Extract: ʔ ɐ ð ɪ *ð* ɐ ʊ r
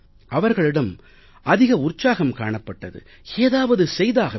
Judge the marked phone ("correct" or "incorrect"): incorrect